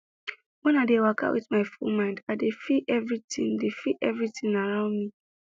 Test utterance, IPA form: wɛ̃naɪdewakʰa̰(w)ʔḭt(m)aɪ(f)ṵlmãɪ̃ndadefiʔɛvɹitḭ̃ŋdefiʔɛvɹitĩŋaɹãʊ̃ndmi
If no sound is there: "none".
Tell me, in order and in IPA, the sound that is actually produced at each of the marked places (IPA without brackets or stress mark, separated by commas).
w, m, f